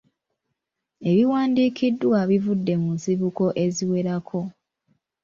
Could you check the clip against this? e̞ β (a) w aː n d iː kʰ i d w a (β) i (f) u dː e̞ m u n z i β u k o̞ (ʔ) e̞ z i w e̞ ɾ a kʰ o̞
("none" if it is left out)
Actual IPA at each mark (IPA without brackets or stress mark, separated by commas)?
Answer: i, β, v, ʔ